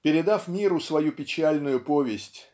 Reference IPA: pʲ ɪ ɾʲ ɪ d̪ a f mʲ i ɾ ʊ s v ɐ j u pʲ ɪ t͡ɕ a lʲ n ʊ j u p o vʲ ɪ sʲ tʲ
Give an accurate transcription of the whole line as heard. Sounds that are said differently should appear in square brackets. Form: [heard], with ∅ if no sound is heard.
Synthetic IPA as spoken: pʲ ɪ ɾʲ ɪ d̪ a f mʲ i ɾ ʊ s v ɐ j u pʲ ɪ t͡ɕ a lʲ n ʊ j [ʊ] p o vʲ ɪ sʲ tʲ